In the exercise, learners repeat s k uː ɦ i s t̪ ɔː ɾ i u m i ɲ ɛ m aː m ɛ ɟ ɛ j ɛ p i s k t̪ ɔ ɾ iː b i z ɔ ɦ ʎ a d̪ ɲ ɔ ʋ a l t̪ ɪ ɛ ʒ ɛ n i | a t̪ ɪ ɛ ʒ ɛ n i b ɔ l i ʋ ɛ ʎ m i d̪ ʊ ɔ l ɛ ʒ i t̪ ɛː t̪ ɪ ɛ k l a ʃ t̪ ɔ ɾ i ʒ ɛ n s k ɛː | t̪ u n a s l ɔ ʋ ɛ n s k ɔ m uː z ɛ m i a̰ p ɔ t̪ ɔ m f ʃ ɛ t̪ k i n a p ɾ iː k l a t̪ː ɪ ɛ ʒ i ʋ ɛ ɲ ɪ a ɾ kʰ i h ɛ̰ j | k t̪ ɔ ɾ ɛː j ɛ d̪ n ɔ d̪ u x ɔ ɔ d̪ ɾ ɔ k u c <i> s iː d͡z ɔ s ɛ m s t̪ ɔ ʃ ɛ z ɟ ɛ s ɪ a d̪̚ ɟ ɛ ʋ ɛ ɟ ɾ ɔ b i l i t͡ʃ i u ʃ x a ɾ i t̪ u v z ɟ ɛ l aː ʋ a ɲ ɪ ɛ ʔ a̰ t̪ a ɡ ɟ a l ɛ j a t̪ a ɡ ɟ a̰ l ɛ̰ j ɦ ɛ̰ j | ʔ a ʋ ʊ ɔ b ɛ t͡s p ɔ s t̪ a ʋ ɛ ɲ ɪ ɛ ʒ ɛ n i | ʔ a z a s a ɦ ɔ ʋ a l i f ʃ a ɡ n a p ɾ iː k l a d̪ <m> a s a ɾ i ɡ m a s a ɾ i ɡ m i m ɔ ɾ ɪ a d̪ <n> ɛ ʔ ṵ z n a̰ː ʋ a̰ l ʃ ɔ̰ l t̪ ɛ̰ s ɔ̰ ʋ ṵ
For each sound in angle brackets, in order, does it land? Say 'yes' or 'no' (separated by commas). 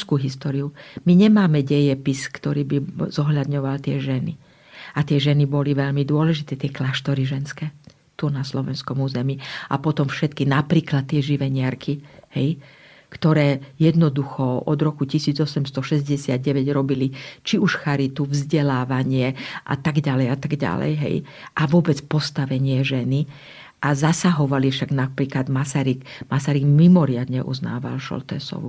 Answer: yes, yes, no